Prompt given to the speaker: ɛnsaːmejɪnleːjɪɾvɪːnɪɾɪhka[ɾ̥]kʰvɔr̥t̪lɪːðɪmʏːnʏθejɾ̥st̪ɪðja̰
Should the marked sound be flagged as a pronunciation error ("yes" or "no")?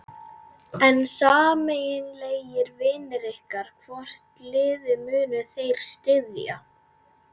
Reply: no